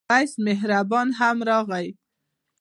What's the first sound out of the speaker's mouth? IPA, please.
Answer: a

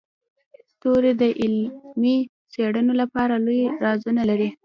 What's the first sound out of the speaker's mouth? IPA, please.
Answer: s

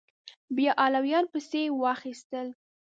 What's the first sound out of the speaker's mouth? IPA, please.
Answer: b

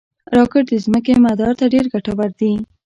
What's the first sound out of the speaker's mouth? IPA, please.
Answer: ɾ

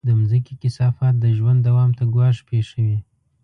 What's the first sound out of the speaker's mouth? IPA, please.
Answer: d̪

